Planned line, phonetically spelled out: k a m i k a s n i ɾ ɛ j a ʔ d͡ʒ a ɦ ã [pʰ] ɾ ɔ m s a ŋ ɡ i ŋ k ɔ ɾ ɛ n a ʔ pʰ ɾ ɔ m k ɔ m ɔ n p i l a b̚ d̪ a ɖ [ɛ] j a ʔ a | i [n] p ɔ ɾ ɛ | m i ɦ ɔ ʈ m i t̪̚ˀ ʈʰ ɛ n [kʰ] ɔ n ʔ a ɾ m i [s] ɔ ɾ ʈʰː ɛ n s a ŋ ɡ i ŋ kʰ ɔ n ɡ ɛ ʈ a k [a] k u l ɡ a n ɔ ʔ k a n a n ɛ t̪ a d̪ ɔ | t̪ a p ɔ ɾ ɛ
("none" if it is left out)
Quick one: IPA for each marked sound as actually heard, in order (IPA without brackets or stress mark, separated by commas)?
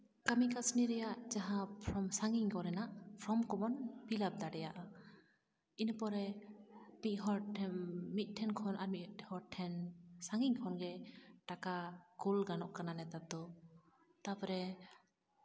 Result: pʰ, ɛ, n, kʰ, h, a